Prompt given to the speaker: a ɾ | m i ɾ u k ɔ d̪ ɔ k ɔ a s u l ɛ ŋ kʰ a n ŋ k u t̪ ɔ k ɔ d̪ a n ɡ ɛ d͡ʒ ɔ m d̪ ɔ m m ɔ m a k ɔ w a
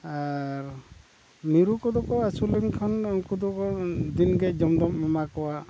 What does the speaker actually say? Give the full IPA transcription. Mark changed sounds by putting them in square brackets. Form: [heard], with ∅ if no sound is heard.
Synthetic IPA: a ɾ | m i ɾ u k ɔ d̪ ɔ k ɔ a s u l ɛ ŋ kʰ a n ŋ k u [d̪] ɔ k ɔ d̪ [i] n ɡ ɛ d͡ʒ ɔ m d̪ ɔ m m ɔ m a k ɔ w a

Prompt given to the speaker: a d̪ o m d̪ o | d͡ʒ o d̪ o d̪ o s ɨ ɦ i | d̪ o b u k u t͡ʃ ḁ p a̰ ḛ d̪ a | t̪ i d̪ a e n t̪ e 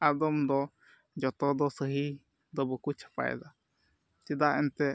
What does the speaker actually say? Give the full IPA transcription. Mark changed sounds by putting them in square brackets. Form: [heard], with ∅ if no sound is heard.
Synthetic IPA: a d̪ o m d̪ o | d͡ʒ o [t̪] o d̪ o s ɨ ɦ i | d̪ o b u k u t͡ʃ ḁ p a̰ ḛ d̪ a | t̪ i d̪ a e n t̪ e

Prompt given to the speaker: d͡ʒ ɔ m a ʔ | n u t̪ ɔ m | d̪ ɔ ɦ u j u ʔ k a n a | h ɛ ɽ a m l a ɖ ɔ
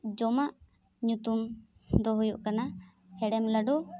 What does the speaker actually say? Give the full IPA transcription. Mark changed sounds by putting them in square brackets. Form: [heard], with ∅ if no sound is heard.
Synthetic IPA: d͡ʒ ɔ m a ʔ | [ɲ] u t̪ [u] m | d̪ ɔ ɦ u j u ʔ k a n a | h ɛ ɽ [ɛ] m l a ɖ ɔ

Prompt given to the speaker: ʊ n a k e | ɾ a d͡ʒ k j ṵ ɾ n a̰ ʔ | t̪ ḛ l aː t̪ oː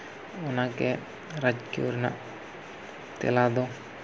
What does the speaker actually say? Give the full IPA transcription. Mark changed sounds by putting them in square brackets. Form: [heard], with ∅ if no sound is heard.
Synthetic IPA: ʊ n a k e | ɾ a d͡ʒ k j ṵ ɾ n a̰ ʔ | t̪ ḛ l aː [d̪] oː

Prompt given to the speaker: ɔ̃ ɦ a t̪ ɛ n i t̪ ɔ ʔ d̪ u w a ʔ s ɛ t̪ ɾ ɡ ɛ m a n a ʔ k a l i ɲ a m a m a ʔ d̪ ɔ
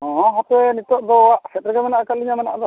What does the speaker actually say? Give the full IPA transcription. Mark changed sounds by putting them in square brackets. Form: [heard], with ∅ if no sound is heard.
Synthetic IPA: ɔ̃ ɦ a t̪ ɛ n i t̪ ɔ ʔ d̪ [ɔ] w a ʔ s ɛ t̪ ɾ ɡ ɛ m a n a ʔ k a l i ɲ a m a [n] a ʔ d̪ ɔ

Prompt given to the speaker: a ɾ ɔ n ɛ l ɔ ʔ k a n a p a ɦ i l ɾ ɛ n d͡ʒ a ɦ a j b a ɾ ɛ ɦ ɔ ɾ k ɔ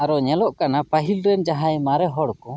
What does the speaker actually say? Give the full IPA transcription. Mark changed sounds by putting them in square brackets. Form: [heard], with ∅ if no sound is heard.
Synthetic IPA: a ɾ ɔ [ɲ] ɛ l ɔ ʔ k a n a p a ɦ i l ɾ ɛ n d͡ʒ a ɦ a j [m] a ɾ ɛ ɦ ɔ [ɽ] k ɔ

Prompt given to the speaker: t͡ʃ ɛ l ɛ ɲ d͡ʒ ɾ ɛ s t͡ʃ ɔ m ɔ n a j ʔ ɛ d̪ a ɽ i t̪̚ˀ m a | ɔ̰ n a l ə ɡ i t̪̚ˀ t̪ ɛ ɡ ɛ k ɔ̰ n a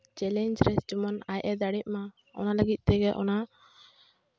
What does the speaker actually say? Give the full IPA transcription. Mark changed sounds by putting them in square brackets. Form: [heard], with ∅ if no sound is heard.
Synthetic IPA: t͡ʃ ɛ l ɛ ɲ d͡ʒ ɾ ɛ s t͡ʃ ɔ m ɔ n a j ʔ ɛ d̪ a ɽ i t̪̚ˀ m a | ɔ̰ n a l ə ɡ i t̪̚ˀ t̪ ɛ ɡ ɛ [ʔ] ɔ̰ n a

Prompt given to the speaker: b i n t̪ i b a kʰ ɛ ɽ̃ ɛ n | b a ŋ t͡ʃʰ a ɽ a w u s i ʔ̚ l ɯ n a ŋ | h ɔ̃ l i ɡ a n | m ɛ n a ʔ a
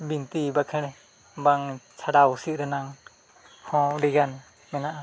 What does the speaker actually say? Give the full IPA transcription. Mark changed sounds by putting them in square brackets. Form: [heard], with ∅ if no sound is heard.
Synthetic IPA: b i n t̪ i b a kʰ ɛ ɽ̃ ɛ [∅] | b a ŋ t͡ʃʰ a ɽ a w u s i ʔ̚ [ɾ] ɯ n a ŋ | h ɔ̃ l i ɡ a n | m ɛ n a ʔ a

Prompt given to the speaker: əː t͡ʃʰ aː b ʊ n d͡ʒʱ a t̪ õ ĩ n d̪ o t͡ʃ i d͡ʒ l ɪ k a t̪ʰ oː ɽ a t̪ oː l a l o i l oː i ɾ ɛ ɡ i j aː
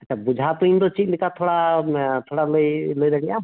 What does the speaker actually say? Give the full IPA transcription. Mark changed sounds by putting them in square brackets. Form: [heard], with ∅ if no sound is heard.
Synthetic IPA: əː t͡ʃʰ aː b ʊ [∅] d͡ʒʱ a t̪ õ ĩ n d̪ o t͡ʃ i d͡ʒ l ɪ k a t̪ʰ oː ɽ a [t̪ʰ] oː [ɽ] a l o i l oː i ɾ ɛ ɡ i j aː

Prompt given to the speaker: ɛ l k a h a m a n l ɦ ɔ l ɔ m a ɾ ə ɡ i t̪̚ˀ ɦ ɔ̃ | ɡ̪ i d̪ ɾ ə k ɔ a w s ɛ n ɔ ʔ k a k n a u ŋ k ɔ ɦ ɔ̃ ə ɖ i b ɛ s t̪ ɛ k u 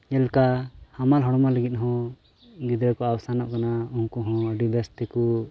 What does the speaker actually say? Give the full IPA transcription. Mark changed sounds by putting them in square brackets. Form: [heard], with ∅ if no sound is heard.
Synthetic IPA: ɛ l k a h a m a [∅] l ɦ ɔ [ɽ] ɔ m a [l] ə ɡ i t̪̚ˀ ɦ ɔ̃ | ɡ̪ i d̪ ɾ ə k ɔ a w s [a] n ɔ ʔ k a [∅] n a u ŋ k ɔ ɦ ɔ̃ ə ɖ i b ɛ s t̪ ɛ k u

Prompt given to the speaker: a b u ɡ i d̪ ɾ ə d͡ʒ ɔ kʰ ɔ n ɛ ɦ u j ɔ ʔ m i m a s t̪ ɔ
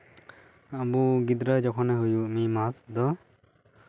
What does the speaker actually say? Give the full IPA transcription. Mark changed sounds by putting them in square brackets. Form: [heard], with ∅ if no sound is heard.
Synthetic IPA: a b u ɡ i d̪ ɾ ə d͡ʒ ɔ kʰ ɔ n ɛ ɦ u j [u] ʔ m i m a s [d̪] ɔ

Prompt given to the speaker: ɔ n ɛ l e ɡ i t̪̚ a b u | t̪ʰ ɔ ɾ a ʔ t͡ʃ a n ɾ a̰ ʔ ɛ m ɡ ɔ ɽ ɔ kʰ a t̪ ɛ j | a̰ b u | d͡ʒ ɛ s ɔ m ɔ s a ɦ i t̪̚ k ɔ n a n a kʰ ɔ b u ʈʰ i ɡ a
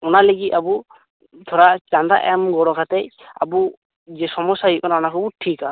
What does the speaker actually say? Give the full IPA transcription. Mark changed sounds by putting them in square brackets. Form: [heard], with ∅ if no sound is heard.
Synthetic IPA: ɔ n [a] l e ɡ i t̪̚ a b u | t̪ʰ ɔ ɾ a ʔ t͡ʃ a n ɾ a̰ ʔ ɛ m ɡ ɔ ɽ ɔ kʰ a t̪ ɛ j | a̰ b u | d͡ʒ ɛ s ɔ m ɔ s a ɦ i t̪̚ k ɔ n a n a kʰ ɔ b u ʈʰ i [k] a

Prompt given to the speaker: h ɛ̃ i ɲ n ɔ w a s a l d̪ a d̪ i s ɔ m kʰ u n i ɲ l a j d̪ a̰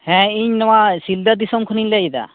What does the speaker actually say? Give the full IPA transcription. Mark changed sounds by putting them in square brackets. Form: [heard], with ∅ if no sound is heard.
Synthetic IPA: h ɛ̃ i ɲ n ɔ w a s [i] l d̪ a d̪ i s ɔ m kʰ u n i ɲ l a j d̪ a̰

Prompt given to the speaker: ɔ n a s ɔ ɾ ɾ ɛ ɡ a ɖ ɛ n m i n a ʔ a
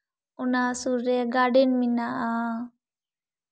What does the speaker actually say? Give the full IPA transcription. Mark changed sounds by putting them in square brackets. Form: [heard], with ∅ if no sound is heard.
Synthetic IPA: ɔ n a s [u] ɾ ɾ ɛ ɡ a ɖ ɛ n m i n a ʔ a

